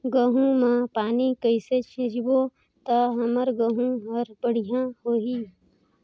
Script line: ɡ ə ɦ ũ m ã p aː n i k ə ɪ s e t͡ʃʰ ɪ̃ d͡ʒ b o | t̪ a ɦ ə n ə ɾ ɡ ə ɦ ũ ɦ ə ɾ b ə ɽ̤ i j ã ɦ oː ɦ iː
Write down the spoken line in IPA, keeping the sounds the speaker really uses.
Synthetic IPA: ɡ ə ɦ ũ m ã p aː n i k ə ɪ s e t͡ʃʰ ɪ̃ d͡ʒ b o | t̪ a ɦ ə m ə ɾ ɡ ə ɦ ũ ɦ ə ɾ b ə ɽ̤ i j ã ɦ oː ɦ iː